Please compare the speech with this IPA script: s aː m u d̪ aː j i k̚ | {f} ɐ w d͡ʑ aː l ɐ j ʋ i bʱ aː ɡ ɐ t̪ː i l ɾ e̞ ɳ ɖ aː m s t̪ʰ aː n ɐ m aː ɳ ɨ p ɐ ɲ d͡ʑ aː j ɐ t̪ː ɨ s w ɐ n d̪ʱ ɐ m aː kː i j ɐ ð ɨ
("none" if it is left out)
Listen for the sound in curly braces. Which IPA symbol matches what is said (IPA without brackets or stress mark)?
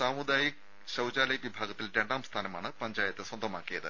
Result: ɕ